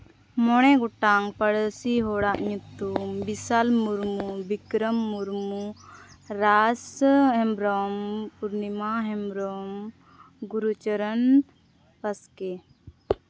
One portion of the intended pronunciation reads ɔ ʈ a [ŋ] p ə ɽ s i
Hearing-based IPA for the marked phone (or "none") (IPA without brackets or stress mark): ŋ